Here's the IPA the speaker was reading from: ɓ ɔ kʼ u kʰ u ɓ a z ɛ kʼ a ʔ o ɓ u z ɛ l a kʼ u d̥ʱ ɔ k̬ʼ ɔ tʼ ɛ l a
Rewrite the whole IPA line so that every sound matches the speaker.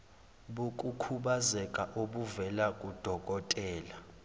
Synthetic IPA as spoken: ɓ u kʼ u kʰ u ɓ a z ɛ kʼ a ʔ o ɓ u v ɛ l a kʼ u d̥ʱ ɔ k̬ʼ ɔ tʼ ɛː l a